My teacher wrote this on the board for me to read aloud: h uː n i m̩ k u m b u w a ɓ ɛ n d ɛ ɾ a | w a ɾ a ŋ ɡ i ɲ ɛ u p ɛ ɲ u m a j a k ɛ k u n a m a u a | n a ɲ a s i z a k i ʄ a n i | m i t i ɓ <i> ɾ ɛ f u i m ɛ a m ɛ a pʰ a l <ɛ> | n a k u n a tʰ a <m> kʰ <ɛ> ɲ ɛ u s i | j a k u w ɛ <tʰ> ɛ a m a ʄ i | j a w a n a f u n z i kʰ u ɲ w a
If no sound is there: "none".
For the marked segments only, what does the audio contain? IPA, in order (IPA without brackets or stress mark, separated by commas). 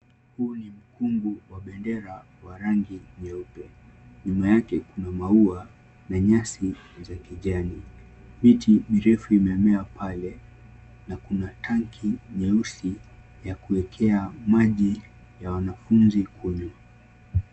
i, ɛ, ŋ, i, kʰ